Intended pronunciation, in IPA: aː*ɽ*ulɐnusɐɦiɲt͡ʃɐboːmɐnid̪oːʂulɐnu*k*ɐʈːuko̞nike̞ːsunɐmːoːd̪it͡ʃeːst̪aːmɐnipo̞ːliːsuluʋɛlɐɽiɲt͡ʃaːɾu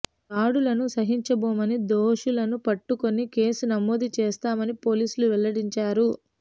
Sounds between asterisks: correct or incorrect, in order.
correct, incorrect: p

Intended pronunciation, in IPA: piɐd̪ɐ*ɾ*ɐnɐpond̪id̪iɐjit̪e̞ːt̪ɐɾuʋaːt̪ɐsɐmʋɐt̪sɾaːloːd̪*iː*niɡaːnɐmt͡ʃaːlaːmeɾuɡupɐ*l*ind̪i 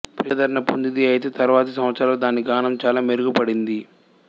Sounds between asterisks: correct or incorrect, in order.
correct, incorrect: aː, incorrect: ɽ

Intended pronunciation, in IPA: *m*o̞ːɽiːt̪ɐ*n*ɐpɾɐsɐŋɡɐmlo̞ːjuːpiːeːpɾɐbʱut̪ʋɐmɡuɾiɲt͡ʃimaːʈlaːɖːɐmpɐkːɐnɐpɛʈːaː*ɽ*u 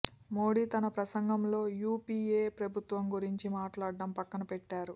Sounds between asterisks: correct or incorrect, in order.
correct, correct, incorrect: ɾ

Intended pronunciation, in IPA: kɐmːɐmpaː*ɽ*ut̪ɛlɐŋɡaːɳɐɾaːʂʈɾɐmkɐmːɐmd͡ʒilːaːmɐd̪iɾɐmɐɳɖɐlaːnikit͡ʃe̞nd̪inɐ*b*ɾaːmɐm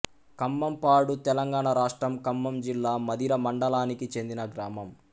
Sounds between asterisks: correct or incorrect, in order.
correct, incorrect: ɡ

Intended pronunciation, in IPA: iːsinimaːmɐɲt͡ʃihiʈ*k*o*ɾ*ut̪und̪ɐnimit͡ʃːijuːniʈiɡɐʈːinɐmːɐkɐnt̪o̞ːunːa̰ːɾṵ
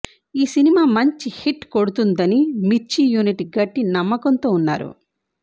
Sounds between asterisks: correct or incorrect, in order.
correct, incorrect: ɽ

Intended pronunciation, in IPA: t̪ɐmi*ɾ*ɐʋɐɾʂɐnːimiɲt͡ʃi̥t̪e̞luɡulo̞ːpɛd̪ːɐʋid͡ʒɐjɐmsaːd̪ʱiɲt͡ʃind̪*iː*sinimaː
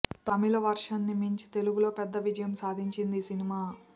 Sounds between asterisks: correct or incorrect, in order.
incorrect: l, incorrect: i

